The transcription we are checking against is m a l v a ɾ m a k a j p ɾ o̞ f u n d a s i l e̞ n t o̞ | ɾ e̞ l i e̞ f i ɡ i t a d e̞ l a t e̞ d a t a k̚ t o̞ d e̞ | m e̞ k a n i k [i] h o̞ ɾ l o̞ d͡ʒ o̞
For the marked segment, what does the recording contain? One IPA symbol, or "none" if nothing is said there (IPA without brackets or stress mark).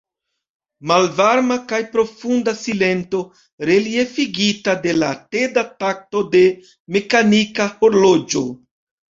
a